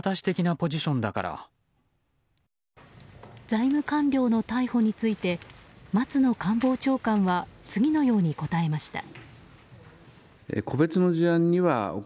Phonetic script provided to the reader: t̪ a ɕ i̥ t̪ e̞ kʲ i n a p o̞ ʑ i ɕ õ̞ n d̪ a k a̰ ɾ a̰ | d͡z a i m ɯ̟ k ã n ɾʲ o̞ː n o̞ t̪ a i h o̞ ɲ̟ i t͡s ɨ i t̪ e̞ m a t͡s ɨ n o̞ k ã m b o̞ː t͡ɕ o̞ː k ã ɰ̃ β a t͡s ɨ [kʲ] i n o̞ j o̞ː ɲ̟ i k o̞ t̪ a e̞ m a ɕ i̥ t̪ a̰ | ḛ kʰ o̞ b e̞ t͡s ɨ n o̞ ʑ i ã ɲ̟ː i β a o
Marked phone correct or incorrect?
incorrect